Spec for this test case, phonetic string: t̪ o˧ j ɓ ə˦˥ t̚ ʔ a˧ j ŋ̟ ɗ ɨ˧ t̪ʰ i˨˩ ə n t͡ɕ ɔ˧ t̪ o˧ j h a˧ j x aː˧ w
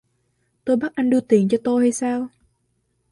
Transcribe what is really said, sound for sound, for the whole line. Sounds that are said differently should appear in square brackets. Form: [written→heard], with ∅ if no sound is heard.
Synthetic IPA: t̪ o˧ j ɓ [ə˦˥→a˦˥] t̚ ʔ a˧ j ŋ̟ ɗ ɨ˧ [t̪ʰ→t̪] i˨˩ ə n t͡ɕ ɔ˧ t̪ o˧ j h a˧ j [x→s] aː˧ w

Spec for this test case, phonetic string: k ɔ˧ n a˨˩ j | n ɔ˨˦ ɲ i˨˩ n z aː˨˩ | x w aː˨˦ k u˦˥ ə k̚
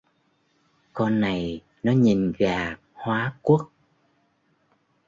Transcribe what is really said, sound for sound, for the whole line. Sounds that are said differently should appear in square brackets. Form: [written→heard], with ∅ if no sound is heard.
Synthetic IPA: k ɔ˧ [n→nː] a˨˩ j | n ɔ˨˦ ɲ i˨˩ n [z→ɣ] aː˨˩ | [x→h] w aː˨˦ k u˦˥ ə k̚

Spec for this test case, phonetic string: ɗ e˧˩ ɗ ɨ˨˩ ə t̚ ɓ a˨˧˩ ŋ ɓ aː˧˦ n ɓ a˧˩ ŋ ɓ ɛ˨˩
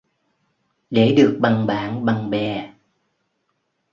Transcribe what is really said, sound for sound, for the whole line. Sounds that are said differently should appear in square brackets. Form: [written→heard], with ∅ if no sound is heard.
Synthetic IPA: ɗ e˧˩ ɗ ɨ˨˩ ə [t̚→k̚] ɓ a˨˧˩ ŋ ɓ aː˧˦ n ɓ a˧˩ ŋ ɓ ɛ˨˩

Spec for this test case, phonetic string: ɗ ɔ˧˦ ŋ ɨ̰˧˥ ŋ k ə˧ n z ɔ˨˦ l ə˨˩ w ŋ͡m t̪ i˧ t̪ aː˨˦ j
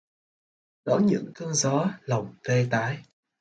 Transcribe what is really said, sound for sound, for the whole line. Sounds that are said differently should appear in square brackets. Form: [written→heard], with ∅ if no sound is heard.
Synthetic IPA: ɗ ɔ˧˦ [ŋ→ɲ] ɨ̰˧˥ ŋ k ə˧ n z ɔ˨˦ l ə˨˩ w ŋ͡m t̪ [i˧→e˧] t̪ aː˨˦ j

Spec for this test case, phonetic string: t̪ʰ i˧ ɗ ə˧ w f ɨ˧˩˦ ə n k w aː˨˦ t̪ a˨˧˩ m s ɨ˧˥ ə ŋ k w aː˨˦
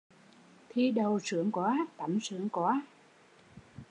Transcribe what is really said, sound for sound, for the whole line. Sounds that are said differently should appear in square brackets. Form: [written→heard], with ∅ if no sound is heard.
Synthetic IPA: t̪ʰ i˧ ɗ [ə˧→ə˨˩] w [f→s] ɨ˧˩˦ ə [n→ŋ] k w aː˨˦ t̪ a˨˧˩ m s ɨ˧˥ ə ŋ k w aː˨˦

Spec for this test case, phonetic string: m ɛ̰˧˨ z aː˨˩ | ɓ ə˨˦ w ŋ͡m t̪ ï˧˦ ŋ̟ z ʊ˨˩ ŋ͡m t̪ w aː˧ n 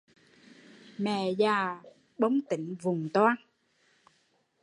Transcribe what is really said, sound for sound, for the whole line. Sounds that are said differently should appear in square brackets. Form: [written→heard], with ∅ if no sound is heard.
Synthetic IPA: m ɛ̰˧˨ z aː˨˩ | ɓ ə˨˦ w ŋ͡m t̪ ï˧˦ ŋ̟ [z→v] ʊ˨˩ ŋ͡m t̪ w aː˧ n

